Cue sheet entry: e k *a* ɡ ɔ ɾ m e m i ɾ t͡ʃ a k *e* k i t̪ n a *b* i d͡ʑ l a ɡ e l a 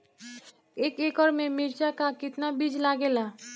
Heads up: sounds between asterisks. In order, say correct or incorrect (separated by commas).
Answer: incorrect, incorrect, correct